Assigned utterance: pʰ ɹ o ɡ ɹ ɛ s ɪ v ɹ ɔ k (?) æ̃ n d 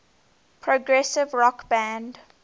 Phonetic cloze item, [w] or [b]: b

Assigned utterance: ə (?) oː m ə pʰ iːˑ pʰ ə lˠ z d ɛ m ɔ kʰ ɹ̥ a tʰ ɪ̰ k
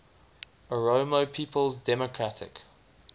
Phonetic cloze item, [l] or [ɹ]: ɹ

